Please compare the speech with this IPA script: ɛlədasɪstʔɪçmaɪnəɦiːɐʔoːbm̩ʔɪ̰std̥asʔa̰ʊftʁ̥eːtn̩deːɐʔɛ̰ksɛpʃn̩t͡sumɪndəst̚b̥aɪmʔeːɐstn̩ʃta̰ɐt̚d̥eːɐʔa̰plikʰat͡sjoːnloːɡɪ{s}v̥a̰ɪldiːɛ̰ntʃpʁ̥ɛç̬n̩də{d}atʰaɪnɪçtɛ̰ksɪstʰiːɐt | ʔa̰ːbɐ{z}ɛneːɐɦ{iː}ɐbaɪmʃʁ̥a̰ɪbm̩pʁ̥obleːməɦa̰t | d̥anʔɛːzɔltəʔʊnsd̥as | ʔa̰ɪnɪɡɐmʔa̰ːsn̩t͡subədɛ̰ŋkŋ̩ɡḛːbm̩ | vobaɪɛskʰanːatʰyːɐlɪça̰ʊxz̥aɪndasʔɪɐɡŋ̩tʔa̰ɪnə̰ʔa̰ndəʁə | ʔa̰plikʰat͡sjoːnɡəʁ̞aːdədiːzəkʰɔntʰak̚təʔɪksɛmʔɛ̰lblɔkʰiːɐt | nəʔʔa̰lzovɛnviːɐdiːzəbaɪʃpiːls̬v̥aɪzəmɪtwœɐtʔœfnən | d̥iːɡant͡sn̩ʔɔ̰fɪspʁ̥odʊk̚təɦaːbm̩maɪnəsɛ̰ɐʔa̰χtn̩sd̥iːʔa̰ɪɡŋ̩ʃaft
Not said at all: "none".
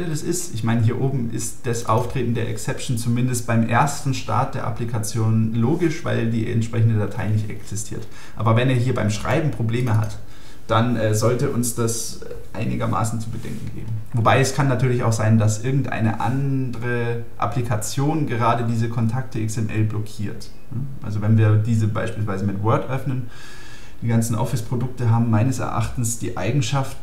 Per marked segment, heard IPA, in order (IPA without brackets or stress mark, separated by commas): ʃ, d, v, iː